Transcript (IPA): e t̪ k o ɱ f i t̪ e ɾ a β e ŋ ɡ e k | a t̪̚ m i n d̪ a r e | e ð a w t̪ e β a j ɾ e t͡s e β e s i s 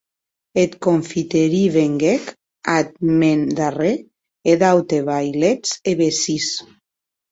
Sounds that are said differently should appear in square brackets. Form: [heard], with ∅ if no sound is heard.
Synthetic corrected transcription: e t̪ k o ɱ f i t̪ e ɾ [i] β e ŋ ɡ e k | a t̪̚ m [e] n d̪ a r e | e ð a w t̪ e β a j [l] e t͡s e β e s i s